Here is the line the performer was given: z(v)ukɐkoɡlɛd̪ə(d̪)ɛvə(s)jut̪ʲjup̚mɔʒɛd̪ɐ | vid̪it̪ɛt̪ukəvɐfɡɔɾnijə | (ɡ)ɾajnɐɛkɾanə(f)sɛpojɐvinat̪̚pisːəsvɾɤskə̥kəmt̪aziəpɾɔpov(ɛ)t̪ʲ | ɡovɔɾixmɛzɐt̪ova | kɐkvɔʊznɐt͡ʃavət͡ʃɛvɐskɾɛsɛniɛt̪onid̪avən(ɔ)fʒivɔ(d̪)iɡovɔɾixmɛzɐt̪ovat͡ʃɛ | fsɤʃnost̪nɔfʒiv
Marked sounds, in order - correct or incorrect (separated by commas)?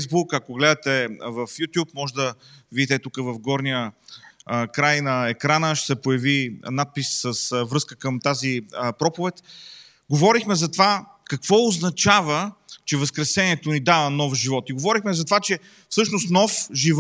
incorrect, incorrect, incorrect, incorrect, incorrect, correct, correct, incorrect